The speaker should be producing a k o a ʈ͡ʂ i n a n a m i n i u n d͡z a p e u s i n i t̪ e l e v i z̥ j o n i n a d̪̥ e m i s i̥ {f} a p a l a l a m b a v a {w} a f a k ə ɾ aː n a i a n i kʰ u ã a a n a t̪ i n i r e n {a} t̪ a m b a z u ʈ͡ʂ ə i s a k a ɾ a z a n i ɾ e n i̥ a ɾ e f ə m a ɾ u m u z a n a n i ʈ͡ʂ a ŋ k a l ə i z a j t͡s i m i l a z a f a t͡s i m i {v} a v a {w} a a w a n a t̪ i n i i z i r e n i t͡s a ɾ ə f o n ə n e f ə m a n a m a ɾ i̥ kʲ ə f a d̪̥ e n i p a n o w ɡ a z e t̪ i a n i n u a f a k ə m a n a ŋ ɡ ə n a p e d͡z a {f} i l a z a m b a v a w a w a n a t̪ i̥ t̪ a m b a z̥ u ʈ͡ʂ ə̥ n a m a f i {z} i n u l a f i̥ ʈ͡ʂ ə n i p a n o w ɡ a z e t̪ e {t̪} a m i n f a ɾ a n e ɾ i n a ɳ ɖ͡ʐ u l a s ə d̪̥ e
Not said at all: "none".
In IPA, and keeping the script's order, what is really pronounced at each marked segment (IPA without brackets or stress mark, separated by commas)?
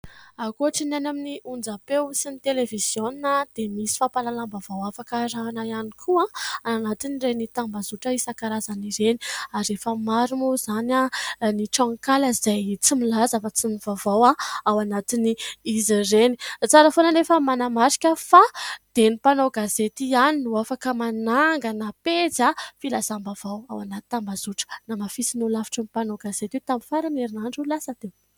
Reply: f, w, i, v, w, f, s, t̪